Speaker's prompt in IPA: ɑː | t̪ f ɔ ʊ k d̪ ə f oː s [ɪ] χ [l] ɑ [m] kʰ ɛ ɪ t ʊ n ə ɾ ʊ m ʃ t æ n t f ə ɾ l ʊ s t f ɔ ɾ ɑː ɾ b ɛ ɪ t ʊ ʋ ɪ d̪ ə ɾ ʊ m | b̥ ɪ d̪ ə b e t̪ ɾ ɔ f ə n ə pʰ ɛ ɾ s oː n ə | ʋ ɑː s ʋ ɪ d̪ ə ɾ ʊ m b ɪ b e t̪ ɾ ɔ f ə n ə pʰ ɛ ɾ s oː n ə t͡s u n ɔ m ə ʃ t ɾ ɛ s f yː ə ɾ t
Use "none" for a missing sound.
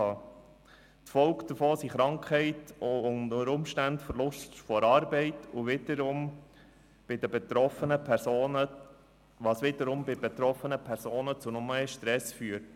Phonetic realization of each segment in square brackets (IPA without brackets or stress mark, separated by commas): i, ɾ, ŋ